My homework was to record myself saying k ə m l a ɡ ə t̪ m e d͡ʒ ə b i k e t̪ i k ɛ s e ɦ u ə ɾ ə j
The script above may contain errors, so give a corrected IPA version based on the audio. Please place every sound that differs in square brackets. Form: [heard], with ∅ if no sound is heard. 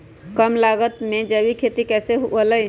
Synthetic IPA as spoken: k ə m l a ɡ ə t̪ m e d͡ʒ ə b i [kʰ] e t̪ i k ɛ s e ɦ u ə [l] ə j